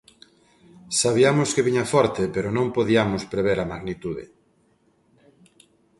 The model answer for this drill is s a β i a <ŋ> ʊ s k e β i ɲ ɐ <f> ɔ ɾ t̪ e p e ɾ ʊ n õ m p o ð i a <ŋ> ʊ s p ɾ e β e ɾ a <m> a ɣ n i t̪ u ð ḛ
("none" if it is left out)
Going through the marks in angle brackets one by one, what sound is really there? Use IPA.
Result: m, f, m, m

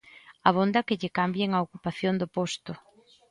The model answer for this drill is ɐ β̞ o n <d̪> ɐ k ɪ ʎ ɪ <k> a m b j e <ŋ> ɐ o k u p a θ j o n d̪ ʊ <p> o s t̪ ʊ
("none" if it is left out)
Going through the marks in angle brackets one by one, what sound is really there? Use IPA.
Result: d̪, k, ŋ, p

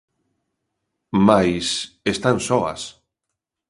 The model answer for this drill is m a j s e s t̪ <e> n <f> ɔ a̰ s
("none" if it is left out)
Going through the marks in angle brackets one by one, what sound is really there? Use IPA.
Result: a, s

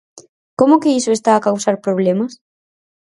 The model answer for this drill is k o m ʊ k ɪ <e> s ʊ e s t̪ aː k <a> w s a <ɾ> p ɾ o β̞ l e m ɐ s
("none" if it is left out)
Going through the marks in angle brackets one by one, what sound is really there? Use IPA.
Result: i, a, ɾ

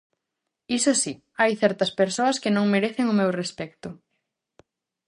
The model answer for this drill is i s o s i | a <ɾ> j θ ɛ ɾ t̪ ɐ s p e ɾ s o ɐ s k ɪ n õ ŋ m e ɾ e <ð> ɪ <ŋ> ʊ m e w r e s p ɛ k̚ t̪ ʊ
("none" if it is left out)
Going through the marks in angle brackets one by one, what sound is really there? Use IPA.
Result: none, θ, ŋ

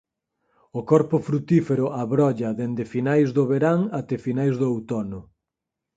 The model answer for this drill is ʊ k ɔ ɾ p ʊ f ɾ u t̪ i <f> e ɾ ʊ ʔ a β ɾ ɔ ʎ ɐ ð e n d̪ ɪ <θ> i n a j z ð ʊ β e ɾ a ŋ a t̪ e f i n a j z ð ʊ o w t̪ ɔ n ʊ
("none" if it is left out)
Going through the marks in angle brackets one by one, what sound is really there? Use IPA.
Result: f, f

